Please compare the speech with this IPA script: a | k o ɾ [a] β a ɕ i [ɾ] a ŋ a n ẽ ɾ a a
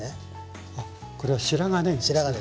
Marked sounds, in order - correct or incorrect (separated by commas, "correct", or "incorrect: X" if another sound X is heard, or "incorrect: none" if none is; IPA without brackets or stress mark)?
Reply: incorrect: e, correct